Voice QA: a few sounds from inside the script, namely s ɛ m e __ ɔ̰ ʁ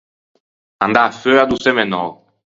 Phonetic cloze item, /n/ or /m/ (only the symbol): n